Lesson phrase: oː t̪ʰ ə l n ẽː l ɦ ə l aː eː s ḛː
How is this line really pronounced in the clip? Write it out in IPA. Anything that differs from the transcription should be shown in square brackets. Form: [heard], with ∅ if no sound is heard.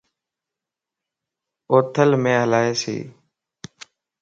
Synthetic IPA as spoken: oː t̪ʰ ə l [m] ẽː [∅] ɦ ə l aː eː s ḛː